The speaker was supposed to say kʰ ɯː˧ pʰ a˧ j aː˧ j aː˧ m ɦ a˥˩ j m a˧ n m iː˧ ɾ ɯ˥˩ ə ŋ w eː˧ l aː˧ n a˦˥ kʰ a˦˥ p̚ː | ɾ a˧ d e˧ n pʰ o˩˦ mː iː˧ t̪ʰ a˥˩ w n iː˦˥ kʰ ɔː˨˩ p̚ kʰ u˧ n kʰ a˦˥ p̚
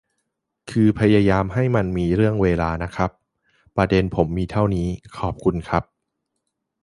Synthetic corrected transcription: kʰ ɯː˧ pʰ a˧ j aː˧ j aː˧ m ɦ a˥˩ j m a˧ n m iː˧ ɾ ɯ˥˩ ə ŋ w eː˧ l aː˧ n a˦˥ kʰ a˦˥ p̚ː | ɾ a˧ d e˧ n pʰ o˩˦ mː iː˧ t̪ʰ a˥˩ w n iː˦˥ kʰ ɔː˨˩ p̚ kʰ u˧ n kʰ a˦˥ p̚